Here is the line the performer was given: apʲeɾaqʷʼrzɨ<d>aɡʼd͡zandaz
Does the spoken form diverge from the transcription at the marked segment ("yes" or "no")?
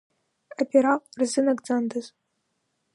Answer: yes